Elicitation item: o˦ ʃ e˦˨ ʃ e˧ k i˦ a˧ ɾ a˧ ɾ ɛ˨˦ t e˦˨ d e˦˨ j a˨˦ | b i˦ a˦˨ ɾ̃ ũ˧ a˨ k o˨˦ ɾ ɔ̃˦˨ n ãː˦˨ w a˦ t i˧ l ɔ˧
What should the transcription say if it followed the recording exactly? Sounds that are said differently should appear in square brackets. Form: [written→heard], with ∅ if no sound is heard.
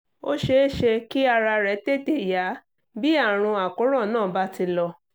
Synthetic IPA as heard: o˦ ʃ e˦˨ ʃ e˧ k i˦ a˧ ɾ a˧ ɾ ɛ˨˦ t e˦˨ [d→t] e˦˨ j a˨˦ | b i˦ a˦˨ ɾ̃ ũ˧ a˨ k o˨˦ ɾ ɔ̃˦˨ n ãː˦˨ [w→b] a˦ t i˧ l ɔ˧